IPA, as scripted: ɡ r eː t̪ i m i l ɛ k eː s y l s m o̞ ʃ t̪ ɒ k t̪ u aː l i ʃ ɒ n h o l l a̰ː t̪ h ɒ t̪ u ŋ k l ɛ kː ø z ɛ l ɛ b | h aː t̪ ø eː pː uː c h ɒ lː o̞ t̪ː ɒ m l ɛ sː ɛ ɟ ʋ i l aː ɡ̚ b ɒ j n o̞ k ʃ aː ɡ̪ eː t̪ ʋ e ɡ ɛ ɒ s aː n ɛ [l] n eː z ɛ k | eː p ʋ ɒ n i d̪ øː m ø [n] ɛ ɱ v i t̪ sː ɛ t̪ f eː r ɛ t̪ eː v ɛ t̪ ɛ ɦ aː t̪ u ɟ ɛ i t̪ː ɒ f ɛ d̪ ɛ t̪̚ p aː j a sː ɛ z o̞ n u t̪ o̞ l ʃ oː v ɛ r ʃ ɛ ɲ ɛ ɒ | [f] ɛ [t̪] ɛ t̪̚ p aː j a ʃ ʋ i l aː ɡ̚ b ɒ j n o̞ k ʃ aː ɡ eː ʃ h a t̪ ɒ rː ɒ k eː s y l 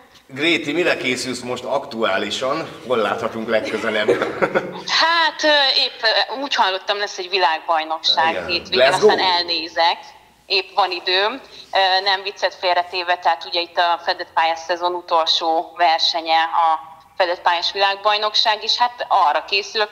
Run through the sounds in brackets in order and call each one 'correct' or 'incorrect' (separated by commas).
correct, correct, correct, incorrect